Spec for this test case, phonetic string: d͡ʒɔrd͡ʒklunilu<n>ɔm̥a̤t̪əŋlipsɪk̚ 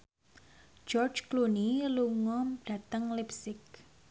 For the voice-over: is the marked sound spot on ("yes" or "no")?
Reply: no